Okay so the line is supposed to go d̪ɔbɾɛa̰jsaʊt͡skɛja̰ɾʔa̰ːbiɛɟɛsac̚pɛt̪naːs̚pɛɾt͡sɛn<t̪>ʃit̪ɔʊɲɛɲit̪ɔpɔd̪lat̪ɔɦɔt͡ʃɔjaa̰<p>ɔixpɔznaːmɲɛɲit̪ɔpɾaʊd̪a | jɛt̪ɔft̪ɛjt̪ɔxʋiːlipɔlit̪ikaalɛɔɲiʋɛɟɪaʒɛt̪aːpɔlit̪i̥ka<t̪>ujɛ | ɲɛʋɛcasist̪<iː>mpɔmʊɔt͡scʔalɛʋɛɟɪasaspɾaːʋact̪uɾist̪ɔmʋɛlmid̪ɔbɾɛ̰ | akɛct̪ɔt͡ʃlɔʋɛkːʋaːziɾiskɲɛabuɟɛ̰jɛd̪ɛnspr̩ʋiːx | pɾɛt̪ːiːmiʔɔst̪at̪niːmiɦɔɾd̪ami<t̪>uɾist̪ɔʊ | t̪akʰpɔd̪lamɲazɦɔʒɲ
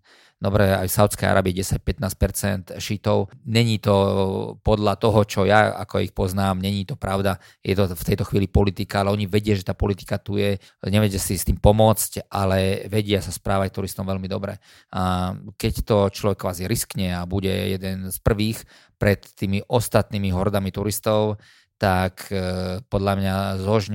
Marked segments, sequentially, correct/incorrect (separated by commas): correct, incorrect, correct, correct, correct